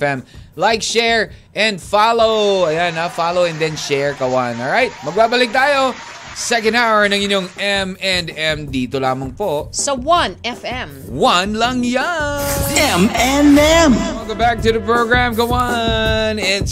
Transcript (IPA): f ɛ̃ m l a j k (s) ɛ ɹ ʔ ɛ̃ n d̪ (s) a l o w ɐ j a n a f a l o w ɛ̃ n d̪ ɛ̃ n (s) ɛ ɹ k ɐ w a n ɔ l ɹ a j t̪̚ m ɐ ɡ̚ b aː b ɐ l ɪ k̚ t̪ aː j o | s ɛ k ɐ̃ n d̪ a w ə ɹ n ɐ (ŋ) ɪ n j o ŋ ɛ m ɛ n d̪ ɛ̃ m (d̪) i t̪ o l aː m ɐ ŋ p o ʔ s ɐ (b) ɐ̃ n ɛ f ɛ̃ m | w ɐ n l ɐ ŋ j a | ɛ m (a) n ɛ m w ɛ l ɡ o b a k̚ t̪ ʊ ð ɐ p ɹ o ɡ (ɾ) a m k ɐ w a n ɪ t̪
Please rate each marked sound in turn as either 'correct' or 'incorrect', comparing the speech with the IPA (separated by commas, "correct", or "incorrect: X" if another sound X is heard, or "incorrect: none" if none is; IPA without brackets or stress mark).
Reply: incorrect: ʃ, incorrect: f, incorrect: ʃ, correct, correct, incorrect: w, incorrect: ɛ, incorrect: ɹ